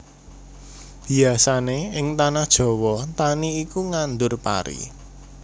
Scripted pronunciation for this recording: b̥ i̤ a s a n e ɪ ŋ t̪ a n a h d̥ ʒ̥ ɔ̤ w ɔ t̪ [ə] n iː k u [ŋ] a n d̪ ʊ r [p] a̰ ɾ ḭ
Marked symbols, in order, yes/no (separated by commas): no, yes, yes